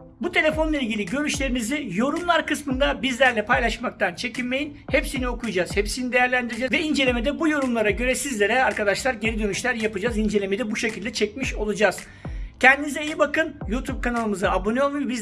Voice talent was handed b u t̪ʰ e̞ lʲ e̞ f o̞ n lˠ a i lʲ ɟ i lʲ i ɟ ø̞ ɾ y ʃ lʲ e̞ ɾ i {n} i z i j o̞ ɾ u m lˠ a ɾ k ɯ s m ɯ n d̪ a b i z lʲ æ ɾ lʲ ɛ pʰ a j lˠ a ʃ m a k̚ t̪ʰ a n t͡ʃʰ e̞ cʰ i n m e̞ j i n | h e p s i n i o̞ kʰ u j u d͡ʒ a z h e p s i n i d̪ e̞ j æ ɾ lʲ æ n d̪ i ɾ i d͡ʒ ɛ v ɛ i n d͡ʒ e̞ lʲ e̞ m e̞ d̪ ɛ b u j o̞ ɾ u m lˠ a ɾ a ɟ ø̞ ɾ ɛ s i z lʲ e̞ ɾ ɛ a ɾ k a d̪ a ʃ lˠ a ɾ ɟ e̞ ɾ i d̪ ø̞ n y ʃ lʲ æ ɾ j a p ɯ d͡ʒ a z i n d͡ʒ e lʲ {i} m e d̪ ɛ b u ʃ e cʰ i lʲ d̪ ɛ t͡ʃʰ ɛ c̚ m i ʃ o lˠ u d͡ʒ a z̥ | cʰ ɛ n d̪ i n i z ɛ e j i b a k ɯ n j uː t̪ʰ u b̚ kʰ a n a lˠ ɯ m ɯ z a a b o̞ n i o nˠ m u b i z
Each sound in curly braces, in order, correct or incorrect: incorrect, incorrect

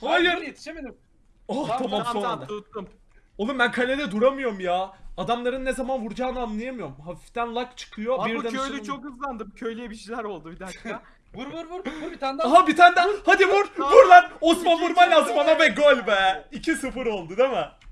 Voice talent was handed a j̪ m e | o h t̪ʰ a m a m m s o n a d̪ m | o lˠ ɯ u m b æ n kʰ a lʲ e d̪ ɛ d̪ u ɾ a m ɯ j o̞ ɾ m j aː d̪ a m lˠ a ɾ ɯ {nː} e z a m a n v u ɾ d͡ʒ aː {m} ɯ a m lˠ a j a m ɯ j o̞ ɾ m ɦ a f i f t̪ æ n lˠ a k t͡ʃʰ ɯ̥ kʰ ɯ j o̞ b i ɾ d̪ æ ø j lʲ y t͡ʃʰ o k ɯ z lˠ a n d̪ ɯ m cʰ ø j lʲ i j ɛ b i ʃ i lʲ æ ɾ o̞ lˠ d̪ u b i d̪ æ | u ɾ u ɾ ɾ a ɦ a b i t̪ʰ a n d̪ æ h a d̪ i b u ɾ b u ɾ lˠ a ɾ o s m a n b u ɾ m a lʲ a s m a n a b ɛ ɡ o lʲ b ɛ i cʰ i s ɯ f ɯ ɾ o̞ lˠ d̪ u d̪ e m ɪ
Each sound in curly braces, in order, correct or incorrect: correct, incorrect

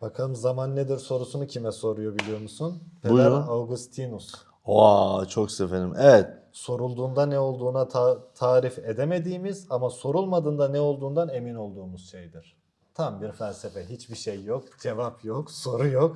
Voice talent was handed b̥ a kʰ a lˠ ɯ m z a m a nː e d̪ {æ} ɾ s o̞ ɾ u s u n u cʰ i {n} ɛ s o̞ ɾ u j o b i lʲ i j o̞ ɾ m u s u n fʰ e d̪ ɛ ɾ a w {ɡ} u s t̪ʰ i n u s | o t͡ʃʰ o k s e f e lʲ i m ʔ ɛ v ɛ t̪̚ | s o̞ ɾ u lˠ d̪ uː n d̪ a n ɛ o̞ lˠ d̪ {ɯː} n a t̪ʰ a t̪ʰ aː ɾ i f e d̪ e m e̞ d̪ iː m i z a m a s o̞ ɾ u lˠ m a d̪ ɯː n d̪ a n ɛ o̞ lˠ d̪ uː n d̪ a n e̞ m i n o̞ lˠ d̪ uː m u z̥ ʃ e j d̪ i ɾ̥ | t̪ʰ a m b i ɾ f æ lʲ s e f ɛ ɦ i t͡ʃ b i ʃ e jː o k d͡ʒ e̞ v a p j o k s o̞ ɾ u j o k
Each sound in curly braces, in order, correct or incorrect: incorrect, incorrect, correct, incorrect

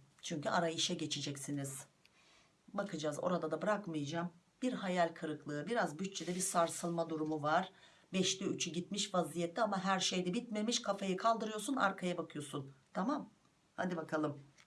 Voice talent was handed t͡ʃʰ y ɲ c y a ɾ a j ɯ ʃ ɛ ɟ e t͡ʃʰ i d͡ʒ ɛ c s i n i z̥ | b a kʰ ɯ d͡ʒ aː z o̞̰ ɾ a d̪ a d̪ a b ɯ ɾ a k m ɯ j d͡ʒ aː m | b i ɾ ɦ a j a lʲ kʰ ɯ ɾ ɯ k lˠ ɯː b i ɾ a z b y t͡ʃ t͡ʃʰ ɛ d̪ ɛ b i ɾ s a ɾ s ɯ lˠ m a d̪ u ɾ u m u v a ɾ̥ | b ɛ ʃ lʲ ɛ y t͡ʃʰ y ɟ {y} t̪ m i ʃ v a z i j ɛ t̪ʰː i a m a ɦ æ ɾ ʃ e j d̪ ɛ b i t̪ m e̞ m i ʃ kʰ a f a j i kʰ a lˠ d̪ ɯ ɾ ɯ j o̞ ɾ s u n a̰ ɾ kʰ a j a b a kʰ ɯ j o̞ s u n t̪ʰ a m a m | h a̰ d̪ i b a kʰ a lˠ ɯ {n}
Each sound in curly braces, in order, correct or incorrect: incorrect, incorrect

